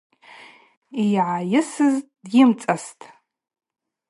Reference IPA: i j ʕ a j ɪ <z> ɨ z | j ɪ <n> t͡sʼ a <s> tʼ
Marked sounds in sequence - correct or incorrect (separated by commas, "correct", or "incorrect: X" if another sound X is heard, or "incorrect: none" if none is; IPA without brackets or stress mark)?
incorrect: s, incorrect: m, correct